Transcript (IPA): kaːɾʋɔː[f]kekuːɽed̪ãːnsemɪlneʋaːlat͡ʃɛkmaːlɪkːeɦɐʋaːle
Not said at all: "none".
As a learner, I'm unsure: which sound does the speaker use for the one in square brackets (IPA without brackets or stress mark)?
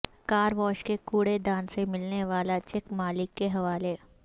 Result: ʃ